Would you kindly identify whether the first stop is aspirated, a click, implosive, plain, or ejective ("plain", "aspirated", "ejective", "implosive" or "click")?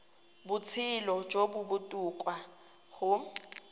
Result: plain